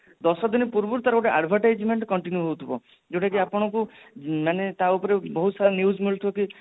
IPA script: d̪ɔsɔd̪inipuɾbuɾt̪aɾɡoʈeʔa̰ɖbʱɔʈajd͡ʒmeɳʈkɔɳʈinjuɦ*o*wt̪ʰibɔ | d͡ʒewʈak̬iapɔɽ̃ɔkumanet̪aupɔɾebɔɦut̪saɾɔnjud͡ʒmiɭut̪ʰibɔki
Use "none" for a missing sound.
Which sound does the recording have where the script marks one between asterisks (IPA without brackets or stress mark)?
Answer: o